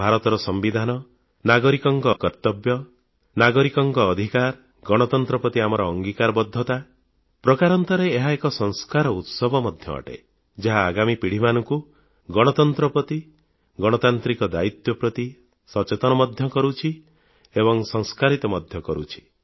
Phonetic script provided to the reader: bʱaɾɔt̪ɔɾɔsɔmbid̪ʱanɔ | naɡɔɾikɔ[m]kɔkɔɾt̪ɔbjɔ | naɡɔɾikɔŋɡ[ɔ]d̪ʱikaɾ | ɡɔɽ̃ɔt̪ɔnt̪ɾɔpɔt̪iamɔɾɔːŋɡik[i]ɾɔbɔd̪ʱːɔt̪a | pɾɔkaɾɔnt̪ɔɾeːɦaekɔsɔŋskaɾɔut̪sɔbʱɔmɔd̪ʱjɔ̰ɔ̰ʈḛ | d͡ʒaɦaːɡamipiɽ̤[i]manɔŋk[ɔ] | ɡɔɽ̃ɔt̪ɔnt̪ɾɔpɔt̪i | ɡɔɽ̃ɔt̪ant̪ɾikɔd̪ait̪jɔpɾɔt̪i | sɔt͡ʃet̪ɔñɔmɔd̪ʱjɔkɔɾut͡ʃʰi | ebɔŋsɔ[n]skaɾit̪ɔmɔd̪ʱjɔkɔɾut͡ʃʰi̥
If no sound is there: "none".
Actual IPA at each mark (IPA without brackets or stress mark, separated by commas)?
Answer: ŋ, ɔː, a, i, u, ŋ